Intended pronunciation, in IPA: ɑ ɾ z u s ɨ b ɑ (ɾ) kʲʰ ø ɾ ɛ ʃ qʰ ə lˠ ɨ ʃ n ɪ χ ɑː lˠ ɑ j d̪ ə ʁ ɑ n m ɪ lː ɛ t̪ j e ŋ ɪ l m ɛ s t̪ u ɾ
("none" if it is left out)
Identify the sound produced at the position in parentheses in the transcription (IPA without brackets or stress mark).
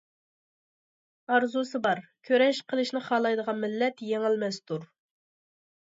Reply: ɾ